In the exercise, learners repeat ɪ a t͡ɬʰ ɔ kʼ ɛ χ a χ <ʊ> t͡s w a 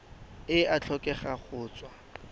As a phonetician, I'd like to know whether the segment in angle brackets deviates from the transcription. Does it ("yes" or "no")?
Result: yes